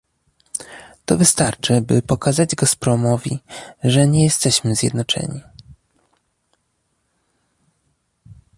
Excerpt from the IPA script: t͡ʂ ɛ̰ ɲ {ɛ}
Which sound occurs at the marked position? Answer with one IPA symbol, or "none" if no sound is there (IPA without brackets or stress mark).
i